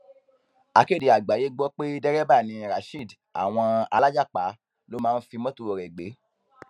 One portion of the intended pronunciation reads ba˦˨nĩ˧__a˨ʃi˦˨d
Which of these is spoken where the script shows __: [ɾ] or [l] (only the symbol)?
ɾ